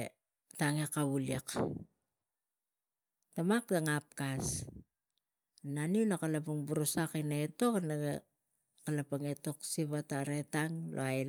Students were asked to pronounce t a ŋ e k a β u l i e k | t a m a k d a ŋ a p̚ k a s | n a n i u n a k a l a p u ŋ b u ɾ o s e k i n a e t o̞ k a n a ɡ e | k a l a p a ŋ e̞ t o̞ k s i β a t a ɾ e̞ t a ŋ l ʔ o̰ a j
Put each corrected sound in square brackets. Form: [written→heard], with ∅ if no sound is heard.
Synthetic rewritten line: t a ŋ e k a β u l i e k | t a m a k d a ŋ a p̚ k a s | n a n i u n a k a l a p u ŋ b u ɾ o s [e→a] k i n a e t o̞ k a n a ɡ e | k a l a p a ŋ e̞ t o̞ k s i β a t a ɾ e̞ t a ŋ l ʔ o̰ a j